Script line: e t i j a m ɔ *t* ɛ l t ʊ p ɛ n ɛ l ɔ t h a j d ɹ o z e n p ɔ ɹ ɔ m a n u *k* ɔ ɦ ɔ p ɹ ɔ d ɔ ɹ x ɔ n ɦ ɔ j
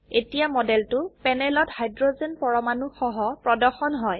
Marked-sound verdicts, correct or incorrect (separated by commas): incorrect, incorrect